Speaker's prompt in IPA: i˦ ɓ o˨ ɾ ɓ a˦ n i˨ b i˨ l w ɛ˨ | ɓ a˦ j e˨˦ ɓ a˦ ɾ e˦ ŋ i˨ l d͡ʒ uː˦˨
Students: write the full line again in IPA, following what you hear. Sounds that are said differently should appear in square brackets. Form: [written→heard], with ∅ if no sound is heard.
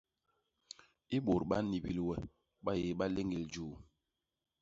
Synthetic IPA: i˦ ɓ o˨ ɾ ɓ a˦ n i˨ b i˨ l w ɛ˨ | ɓ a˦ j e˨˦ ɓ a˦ [ɾ→l] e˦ ŋ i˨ l d͡ʒ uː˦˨

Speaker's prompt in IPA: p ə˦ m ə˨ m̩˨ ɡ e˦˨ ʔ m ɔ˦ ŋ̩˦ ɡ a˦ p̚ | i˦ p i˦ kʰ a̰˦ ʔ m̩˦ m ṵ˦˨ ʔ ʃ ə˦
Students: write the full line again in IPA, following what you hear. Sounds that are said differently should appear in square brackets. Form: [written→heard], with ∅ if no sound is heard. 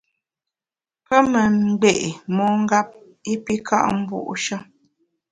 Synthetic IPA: p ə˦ m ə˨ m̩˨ [ɡ→ɡ͡b] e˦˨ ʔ m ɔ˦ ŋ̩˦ ɡ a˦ p̚ | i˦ p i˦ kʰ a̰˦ ʔ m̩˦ [m→b] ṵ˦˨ ʔ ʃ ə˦

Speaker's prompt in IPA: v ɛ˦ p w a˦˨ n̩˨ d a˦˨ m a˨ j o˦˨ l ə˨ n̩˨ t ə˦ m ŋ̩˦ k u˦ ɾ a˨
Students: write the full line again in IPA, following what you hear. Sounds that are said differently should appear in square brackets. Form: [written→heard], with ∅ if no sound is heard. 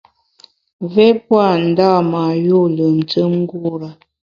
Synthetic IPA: v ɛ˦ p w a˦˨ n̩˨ d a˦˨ m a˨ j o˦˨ l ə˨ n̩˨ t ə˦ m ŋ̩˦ [k→ɡ] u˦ ɾ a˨

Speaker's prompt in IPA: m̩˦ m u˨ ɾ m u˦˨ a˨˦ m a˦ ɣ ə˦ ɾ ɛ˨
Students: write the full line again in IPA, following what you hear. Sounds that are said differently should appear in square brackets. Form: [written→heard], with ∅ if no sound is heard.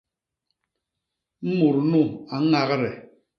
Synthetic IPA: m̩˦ m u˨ ɾ [m→n] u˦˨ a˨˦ [m→ŋ] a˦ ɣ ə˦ ɾ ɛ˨

